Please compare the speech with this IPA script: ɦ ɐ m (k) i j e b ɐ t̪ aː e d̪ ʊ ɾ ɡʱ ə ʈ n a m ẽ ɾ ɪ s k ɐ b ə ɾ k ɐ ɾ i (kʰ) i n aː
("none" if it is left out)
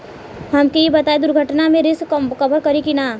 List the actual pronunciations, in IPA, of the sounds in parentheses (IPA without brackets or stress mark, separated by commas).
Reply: k, k